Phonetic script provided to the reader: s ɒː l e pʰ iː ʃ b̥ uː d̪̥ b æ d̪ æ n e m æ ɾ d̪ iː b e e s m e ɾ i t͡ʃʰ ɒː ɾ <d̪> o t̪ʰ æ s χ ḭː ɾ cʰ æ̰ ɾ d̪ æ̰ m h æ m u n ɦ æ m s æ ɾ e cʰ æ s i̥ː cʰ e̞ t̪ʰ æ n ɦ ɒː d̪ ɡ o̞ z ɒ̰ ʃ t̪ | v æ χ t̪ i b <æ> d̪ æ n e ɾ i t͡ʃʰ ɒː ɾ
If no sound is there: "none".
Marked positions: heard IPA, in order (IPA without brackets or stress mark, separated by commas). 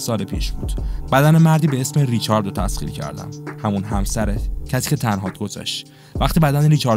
d̪, æ